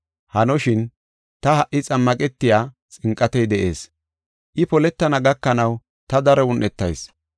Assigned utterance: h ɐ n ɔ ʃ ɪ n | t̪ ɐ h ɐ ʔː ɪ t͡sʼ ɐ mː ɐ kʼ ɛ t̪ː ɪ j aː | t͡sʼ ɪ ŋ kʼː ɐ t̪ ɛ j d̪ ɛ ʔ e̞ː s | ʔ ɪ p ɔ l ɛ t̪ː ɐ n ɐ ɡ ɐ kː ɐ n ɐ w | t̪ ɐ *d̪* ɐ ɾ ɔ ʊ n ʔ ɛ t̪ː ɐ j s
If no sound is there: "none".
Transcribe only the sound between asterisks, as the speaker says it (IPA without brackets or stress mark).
d̪